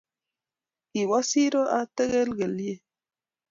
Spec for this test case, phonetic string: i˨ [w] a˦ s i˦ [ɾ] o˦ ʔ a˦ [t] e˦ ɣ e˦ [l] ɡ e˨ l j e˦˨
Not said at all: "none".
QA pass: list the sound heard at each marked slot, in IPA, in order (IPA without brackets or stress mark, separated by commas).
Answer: w, ɾ, t, l